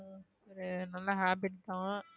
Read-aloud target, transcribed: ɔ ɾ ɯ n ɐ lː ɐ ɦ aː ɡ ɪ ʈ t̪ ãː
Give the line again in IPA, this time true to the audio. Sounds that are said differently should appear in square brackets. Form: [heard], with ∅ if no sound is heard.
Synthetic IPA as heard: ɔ ɾ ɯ n ɐ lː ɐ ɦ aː [b] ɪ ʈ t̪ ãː

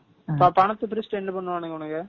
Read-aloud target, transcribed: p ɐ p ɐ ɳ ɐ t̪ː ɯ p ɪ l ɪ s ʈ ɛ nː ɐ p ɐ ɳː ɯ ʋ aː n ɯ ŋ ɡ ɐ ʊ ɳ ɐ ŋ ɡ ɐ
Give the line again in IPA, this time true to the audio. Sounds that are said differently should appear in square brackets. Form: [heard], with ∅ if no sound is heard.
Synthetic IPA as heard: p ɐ p ɐ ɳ ɐ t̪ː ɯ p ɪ [ɾ] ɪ s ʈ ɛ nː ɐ p ɐ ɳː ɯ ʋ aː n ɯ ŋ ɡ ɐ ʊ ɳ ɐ ŋ ɡ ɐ

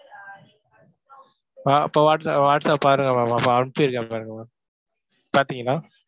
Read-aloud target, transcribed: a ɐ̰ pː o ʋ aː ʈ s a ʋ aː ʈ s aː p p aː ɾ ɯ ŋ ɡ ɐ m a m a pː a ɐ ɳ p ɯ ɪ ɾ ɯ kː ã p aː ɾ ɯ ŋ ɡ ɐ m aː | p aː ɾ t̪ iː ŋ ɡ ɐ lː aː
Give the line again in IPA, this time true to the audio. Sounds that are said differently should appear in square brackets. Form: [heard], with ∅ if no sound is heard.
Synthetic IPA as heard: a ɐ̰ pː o ʋ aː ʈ s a ʋ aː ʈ s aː p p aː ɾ ɯ ŋ ɡ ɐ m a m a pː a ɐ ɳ p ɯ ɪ ɾ ɯ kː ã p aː ɾ ɯ ŋ ɡ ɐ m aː | p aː ɾ t̪ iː ŋ ɡ ɐ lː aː

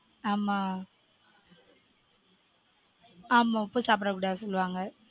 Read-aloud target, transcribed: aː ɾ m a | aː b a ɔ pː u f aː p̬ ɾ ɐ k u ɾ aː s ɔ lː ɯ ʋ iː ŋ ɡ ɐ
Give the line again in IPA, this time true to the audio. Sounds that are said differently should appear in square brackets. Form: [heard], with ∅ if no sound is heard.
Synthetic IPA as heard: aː [∅] m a | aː [m] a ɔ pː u [s] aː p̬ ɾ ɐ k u [ɽ] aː s ɔ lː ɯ ʋ [aː] ŋ ɡ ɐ

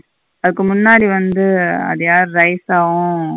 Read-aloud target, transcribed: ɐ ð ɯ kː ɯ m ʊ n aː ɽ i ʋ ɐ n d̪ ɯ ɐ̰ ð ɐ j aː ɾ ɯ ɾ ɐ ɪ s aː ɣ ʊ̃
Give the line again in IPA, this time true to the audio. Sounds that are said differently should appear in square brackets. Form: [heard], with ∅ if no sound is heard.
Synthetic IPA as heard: ɐ ð ɯ kː ɯ m ʊ [nː] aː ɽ i ʋ ɐ n d̪ ɯ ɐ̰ ð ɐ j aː ɾ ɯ ɾ ɐ ɪ s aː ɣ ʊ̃

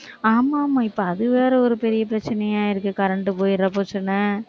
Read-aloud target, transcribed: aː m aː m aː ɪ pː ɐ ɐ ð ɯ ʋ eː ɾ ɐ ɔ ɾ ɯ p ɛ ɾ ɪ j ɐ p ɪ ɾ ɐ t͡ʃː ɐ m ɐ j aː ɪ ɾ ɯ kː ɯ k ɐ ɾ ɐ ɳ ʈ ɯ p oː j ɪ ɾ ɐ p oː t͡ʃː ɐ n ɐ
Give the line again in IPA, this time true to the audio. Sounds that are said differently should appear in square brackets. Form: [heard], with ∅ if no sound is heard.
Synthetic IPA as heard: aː m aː m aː ɪ pː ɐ ɐ ð ɯ ʋ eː ɾ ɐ ɔ ɾ ɯ p ɛ ɾ ɪ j ɐ p ɪ ɾ ɐ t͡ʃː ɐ [n] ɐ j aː ɪ ɾ ɯ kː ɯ k ɐ ɾ ɐ ɳ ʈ ɯ p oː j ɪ ɾ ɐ p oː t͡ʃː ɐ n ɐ

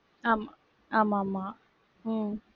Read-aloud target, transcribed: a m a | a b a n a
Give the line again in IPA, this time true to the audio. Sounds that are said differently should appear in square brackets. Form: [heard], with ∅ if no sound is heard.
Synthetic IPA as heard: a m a | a [m] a [m] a

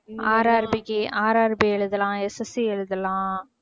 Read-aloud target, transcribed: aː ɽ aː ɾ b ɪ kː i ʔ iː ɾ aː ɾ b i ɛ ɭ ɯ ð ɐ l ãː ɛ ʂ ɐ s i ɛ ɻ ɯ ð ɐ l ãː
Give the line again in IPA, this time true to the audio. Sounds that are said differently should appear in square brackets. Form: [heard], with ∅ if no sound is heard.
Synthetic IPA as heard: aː [ɾ] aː ɾ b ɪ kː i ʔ [aː] ɾ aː ɾ b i ɛ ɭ ɯ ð ɐ l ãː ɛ [s] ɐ s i ɛ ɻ ɯ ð ɐ l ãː

